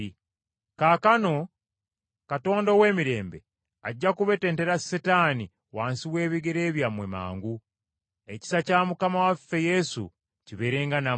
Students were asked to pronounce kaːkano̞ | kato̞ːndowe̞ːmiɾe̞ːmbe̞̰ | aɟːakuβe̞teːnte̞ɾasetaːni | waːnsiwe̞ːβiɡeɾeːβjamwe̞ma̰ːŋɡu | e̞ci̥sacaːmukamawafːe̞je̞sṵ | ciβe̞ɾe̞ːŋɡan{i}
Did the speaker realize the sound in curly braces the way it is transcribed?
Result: no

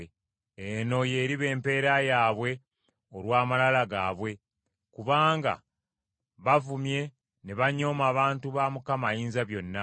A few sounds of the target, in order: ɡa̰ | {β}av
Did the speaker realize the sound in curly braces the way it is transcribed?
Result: yes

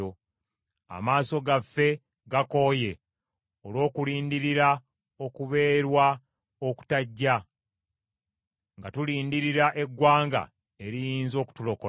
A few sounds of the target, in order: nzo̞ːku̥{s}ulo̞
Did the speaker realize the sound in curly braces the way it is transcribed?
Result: no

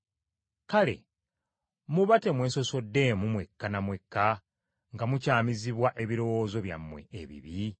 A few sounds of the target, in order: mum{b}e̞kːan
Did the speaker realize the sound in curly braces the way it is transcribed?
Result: no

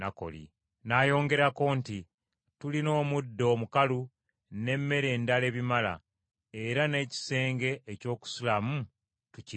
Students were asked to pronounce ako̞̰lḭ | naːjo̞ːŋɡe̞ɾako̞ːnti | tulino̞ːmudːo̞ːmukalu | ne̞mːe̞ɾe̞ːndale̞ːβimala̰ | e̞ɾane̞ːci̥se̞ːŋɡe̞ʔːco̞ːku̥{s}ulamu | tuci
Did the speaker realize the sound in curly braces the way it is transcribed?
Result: yes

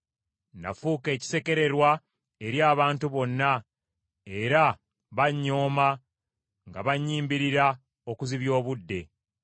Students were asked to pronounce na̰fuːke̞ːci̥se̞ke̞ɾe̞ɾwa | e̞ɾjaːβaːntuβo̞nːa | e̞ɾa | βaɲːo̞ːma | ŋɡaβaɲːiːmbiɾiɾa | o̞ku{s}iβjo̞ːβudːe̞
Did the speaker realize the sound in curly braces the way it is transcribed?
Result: no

